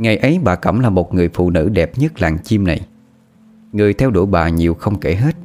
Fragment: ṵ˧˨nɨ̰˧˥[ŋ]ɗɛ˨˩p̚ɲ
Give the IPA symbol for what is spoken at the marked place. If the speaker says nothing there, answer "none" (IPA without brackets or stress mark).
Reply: none